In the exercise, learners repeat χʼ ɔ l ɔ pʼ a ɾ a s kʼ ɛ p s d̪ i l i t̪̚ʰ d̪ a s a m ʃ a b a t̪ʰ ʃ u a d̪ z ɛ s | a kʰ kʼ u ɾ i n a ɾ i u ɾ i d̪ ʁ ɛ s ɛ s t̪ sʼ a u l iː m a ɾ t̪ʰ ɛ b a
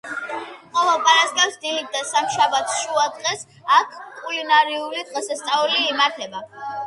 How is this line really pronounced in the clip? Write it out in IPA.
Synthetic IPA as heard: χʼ ɔ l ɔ pʼ a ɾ a s kʼ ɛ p s d̪ i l i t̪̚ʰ d̪ a s a m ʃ a b a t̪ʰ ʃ u a d̪ ʁ ɛ s | a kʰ kʼ u l i n a ɾ i u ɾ i d̪ ʁ ɛ s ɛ s t̪ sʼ a u l iː m a ɾ t̪ʰ ɛ b a